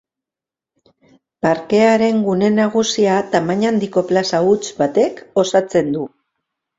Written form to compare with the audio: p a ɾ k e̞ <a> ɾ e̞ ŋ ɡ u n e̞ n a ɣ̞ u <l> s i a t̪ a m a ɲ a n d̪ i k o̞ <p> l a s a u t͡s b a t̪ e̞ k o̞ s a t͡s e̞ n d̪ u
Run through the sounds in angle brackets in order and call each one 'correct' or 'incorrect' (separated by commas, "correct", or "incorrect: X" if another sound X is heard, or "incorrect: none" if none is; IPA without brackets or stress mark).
correct, incorrect: none, correct